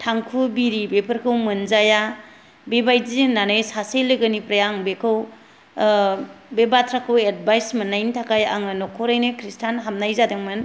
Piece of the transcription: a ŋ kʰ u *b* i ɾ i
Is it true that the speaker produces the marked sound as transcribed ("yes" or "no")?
yes